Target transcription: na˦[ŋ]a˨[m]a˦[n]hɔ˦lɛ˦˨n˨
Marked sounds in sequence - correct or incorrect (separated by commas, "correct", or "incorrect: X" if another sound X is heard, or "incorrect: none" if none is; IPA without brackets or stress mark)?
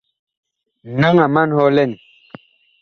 correct, correct, correct